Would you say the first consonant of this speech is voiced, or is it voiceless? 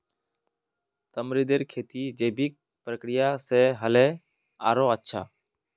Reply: voiceless